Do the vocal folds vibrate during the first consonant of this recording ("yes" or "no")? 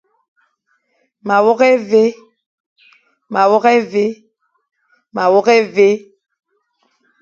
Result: yes